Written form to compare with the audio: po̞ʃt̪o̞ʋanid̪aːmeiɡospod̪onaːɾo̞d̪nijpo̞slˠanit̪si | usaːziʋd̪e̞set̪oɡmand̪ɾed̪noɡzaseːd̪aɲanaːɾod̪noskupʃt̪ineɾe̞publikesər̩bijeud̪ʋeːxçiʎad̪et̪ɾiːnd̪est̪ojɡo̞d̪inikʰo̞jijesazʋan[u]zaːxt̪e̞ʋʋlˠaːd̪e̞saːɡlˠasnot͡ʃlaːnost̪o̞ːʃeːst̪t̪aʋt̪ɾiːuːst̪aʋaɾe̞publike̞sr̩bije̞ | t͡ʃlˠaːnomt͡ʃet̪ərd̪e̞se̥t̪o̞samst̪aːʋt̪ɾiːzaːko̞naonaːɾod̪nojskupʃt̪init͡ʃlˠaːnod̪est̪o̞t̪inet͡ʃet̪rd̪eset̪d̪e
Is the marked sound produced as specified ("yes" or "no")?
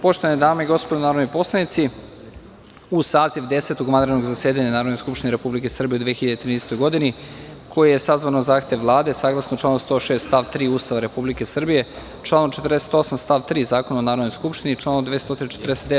no